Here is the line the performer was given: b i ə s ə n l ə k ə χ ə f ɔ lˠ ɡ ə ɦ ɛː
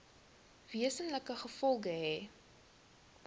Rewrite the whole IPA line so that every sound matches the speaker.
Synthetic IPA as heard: v i ə s ə n l ə k ə χ ə f ɔ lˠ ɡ ə ɦ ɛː